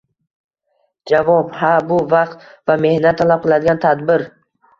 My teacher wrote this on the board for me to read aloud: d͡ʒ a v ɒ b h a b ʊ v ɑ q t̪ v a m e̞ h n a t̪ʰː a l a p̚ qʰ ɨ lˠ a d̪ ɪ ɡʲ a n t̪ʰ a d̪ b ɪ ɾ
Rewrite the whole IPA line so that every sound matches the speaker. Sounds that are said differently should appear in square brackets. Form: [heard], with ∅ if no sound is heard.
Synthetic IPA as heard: d͡ʒ a v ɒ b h a b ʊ v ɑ q t̪ v a m e̞ h n a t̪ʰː a l a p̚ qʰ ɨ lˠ a d̪ ɪ ɡʲ a n t̪ʰ a d̪ b ɪ ɾ

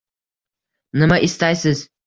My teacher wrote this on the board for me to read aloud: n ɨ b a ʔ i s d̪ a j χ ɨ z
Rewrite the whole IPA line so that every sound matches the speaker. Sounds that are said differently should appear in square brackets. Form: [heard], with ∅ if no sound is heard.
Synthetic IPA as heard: n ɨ [m] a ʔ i s [t̪] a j [s] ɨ z

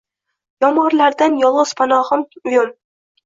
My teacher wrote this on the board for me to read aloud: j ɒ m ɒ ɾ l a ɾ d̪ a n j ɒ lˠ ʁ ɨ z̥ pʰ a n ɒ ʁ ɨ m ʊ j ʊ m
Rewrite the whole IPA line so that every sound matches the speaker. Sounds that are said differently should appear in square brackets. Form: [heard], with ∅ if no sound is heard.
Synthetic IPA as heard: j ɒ m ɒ ɾ l a ɾ d̪ a n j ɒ lˠ ʁ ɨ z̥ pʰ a n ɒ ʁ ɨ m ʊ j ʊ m

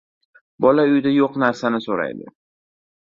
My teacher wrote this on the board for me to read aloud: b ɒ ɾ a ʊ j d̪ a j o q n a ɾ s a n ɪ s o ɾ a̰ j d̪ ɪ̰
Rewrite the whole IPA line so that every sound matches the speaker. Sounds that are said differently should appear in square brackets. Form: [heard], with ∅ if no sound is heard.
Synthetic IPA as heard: b ɒ [l] a ʊ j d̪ a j o q n a ɾ s a n ɪ s o ɾ a̰ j d̪ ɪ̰

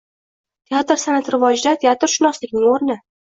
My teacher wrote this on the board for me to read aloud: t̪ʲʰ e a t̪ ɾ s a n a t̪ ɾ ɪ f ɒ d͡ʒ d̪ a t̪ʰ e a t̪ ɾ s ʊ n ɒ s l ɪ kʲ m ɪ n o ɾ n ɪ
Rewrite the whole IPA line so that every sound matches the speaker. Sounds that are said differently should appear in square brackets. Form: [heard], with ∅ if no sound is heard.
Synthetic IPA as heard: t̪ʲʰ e a t̪ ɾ s a n a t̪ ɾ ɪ [v] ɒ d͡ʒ d̪ a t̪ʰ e a t̪ ɾ [ʃ] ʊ n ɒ s l ɪ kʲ [n] ɪ [ŋ] o ɾ n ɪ

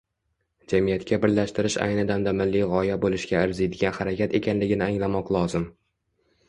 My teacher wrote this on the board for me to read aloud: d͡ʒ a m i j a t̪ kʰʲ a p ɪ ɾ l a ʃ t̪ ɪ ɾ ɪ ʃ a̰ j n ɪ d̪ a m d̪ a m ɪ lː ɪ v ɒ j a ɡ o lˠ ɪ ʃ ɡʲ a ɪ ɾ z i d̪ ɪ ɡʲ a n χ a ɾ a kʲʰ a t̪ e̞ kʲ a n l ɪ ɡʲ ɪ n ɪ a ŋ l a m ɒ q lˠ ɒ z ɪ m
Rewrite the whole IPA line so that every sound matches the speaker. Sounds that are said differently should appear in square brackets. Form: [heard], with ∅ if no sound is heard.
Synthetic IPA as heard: d͡ʒ a m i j a t̪ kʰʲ a [b] ɪ ɾ l a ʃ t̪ ɪ ɾ ɪ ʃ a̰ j n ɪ d̪ a m d̪ a m ɪ lː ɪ [ʁ] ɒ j a [b] o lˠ ɪ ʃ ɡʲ a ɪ ɾ z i d̪ ɪ ɡʲ a n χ a ɾ a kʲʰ a t̪ e̞ kʲ a n l ɪ ɡʲ ɪ n ɪ a ŋ l a m ɒ q lˠ ɒ z ɪ m

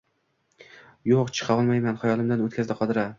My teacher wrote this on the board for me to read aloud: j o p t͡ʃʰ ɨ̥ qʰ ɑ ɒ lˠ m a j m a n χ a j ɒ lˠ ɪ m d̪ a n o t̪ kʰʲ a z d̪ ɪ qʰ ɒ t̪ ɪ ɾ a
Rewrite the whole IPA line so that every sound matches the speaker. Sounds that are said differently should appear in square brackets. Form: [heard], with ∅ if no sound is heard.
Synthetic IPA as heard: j o [q] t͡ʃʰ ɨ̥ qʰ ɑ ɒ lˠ m a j m a n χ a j ɒ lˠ ɪ m d̪ a n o t̪ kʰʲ a z d̪ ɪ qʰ ɒ [d̪] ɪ ɾ a

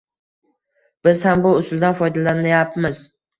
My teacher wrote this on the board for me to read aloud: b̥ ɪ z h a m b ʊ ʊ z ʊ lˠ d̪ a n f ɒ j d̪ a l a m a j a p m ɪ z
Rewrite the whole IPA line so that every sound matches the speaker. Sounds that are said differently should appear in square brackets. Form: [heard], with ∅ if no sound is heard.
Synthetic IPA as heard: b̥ ɪ z h a m b ʊ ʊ [s] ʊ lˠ d̪ a n f ɒ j d̪ a l a [n] a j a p m ɪ z

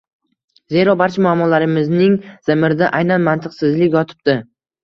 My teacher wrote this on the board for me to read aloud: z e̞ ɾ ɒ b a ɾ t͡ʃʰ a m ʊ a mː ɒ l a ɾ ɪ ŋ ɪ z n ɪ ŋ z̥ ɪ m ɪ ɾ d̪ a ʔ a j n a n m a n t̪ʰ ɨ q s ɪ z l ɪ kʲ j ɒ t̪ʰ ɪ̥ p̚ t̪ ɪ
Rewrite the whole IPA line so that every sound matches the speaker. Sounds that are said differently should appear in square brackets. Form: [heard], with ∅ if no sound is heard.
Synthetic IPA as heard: z e̞ ɾ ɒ b a ɾ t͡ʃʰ a m ʊ a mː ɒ l a ɾ ɪ [m] ɪ z n ɪ ŋ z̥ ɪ m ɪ ɾ d̪ a ʔ a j n a n m a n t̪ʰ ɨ q s ɪ z l ɪ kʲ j ɒ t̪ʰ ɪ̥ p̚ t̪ ɪ

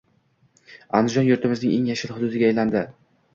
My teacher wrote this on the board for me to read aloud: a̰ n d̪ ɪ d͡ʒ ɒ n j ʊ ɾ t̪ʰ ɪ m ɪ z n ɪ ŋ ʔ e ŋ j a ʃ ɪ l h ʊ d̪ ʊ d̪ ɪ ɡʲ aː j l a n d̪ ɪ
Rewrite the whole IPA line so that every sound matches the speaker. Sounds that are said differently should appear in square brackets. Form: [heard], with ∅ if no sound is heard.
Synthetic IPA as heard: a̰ n d̪ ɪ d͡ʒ ɒ n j ʊ ɾ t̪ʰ ɪ m ɪ z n ɪ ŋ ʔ e ŋ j a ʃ ɪ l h ʊ d̪ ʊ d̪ ɪ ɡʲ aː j l a n d̪ ɪ

